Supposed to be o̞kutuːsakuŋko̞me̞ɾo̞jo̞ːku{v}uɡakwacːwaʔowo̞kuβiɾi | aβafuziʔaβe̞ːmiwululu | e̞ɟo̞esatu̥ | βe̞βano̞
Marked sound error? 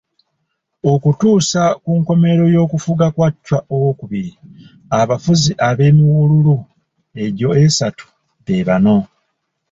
yes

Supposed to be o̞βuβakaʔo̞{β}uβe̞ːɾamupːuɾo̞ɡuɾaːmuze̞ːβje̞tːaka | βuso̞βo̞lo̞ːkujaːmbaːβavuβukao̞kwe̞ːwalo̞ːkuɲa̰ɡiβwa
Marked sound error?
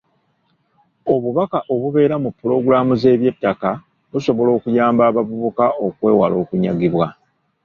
no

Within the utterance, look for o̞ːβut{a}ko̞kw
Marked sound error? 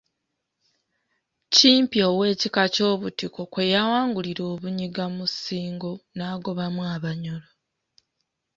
yes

